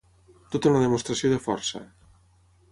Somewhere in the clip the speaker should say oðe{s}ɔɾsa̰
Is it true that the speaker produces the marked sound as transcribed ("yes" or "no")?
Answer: no